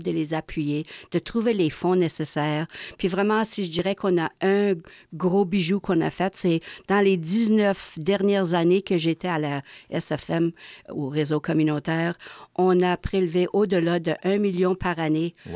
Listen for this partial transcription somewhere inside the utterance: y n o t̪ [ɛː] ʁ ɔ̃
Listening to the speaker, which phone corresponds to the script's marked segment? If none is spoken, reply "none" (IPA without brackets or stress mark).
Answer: ɛː